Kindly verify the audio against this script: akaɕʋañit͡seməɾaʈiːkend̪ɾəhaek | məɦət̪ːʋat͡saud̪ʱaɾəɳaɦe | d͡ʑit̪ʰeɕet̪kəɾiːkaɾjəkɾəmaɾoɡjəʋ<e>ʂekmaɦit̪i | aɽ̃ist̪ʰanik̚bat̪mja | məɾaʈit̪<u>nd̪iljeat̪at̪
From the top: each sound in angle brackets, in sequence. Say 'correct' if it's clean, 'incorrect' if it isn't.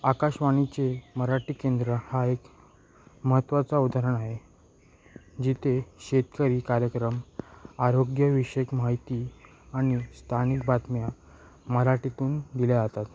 incorrect: i, incorrect: uː

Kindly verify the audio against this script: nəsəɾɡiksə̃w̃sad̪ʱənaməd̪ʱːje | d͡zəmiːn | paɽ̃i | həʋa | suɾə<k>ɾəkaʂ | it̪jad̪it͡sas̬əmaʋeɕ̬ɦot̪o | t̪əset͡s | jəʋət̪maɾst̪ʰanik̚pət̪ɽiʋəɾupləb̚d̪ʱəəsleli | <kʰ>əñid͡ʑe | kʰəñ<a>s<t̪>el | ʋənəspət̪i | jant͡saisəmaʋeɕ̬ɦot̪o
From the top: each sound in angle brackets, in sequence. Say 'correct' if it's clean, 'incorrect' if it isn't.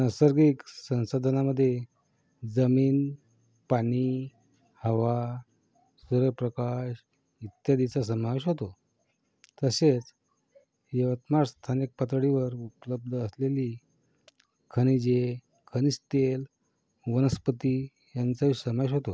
incorrect: p, correct, incorrect: i, correct

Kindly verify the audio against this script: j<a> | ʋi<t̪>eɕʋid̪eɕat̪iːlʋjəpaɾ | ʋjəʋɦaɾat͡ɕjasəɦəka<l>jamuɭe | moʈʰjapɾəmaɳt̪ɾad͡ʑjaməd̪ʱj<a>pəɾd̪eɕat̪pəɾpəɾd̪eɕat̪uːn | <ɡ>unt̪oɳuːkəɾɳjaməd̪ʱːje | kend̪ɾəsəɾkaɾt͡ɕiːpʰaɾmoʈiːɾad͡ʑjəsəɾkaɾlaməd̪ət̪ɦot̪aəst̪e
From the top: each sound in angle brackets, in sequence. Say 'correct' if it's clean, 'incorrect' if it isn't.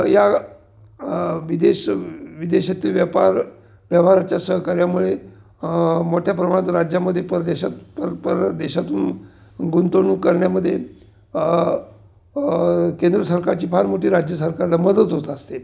correct, incorrect: d̪, incorrect: ɾ, incorrect: e, correct

